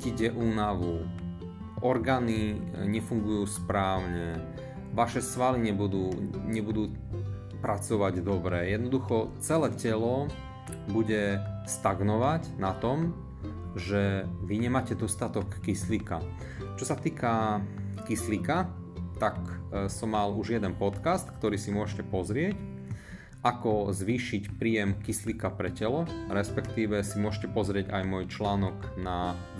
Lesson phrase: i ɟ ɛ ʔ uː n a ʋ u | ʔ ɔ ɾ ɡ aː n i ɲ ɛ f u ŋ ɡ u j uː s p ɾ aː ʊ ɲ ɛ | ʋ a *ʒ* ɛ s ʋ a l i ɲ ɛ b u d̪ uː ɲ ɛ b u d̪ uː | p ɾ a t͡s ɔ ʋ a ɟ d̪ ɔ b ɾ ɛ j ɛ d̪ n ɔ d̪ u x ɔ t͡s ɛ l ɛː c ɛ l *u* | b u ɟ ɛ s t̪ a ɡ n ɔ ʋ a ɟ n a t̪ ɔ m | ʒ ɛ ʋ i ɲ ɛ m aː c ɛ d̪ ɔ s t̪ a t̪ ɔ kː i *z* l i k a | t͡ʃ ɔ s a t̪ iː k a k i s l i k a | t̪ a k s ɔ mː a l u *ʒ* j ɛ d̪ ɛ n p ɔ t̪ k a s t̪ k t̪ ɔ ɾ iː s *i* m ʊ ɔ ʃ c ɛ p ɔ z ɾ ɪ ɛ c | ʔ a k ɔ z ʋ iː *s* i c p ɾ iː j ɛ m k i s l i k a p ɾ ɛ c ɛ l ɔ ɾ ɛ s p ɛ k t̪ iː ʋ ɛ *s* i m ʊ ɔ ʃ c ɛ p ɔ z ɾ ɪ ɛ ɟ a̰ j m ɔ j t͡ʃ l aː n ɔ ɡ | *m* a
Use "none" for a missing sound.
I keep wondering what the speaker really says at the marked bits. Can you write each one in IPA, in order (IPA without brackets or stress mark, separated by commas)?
ʃ, ɔ, s, ʒ, i, ʃ, s, n